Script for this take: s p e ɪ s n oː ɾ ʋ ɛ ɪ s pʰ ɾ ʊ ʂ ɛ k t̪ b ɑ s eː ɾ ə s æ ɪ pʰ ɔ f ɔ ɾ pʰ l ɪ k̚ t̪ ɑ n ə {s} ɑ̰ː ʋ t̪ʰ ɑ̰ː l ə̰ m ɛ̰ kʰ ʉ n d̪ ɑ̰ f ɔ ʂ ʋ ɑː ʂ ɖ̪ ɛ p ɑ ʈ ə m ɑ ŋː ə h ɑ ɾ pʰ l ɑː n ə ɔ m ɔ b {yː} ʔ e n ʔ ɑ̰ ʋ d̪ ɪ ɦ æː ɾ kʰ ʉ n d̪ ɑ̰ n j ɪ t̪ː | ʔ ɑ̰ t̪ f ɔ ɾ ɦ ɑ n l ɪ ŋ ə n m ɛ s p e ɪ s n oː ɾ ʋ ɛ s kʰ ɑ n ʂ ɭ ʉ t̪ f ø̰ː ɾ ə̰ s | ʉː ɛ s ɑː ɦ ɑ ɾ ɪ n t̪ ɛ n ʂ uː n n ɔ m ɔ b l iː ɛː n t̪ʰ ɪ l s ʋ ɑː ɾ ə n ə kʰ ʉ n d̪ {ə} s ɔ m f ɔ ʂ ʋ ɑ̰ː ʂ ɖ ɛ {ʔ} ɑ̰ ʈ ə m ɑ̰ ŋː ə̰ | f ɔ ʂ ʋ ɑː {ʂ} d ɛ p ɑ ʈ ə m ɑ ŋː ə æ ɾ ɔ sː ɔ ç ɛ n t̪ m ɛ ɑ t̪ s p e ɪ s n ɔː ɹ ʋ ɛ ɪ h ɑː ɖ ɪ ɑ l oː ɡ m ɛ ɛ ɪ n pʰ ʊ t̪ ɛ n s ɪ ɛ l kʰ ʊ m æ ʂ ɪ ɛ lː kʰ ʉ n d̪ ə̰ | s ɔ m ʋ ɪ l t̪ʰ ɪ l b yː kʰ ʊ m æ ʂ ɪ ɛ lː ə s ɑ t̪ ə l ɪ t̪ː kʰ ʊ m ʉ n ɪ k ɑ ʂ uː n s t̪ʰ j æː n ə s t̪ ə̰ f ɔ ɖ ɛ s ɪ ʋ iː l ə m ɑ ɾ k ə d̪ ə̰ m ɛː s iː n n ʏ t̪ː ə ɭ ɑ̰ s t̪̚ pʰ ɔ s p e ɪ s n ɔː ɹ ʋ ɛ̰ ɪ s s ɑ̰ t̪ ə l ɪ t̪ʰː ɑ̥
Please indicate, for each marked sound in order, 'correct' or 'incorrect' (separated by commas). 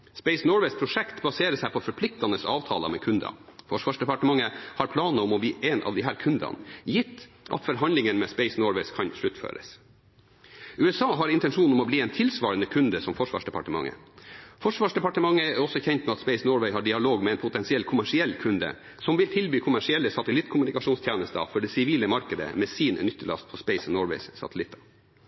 correct, incorrect, correct, incorrect, correct